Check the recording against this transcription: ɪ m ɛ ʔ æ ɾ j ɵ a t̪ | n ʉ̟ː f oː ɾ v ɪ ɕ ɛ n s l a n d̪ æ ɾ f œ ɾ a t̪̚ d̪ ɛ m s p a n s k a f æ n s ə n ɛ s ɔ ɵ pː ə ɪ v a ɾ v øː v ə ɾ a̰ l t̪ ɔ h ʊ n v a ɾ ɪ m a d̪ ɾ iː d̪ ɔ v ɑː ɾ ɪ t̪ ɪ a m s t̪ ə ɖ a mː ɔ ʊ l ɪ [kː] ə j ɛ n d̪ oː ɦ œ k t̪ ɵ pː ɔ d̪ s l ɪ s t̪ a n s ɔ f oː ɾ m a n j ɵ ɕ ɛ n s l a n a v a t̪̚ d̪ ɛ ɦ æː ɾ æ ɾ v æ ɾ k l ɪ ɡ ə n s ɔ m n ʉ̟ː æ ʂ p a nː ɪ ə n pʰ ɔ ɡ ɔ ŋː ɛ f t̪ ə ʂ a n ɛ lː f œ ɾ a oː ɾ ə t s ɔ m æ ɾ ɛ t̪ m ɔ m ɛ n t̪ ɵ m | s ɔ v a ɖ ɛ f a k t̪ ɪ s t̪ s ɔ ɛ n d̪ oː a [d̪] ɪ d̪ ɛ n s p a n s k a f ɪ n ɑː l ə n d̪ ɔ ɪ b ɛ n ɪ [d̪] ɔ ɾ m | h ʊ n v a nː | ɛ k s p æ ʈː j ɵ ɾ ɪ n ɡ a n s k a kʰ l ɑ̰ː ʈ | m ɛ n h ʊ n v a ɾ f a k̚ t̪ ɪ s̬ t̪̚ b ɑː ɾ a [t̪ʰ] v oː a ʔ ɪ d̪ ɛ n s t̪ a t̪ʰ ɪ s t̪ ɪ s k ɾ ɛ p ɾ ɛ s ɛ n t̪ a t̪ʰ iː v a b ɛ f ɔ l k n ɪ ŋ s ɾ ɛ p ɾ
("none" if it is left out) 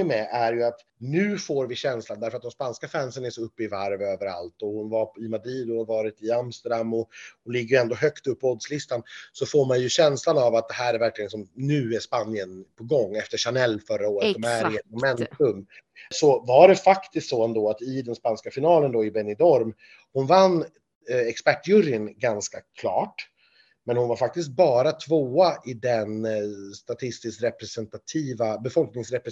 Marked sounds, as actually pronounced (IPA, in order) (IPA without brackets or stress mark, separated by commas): ɡː, t̪, d̪, t̪ʰ